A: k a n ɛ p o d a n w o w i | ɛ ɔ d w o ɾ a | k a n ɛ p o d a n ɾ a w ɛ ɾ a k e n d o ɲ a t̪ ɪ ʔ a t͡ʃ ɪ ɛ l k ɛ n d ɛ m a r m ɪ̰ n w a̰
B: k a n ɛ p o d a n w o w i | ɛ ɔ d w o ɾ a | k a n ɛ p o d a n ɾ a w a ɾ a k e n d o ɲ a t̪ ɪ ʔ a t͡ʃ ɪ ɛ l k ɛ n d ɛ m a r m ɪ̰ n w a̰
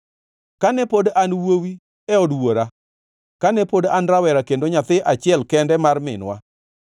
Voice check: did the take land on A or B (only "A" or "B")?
A